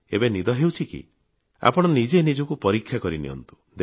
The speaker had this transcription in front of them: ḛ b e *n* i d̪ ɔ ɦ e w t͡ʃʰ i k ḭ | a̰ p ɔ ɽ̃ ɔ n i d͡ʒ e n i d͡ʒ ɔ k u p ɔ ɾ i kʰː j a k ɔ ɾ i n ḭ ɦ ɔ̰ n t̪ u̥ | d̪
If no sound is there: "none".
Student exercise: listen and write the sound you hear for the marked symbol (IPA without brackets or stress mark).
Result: n